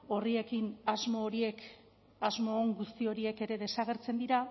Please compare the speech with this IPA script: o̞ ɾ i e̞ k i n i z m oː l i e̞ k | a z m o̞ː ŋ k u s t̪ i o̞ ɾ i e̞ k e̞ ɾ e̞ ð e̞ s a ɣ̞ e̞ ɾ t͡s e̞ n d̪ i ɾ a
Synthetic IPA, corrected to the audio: o̞ r i e̞ k i n a z m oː ɾ i e̞ k | a z m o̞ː ŋ ɡ u s t̪ i o̞ ɾ i e̞ k e̞ ɾ e̞ ð e̞ s a ɣ̞ e̞ ɾ t͡s e̞ n d̪ i ɾ a